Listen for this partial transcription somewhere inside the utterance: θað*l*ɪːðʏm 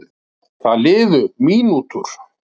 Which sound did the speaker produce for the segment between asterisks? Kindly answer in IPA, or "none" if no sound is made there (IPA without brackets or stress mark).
l